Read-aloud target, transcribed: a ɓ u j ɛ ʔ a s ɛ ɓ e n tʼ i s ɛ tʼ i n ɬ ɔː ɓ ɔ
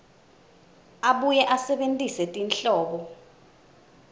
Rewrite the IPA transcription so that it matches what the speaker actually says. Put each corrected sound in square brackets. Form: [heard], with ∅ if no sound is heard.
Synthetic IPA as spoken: a ɓ u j ɛ ʔ a s ɛ ɓ e n tʼ i s ɛ tʼ i n ɬ ɔː ɓ ɔ